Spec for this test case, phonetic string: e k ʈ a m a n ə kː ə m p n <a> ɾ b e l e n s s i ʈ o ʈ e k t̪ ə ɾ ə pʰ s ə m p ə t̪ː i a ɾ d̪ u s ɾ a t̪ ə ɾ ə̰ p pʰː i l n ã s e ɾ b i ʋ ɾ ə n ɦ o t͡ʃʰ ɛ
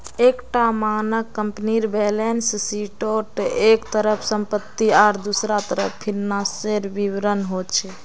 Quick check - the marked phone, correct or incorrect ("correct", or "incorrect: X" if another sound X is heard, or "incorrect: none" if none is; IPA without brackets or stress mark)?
incorrect: i